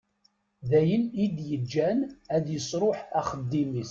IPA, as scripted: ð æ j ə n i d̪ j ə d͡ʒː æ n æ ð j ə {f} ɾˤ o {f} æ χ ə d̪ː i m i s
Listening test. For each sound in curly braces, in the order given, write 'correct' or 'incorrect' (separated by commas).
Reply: incorrect, incorrect